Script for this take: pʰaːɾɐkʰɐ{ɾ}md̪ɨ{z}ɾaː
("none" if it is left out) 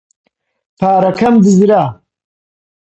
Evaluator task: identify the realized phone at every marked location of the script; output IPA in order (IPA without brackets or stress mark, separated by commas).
none, z